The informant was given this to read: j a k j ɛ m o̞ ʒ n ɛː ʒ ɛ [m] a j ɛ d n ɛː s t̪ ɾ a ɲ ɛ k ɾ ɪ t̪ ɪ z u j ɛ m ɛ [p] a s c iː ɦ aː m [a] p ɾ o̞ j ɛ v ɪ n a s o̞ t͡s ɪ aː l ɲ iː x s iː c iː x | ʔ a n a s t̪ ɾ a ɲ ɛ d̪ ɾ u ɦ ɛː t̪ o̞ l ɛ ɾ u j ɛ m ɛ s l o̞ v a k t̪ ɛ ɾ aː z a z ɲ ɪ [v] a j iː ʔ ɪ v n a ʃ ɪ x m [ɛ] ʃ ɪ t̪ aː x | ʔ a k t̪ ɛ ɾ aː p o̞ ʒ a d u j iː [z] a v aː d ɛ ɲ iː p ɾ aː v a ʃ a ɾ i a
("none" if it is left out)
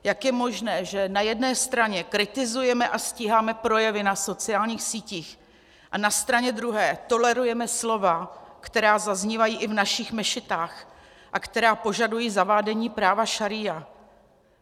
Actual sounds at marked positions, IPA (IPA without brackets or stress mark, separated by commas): n, ʔ, ɛ, v, ɛ, z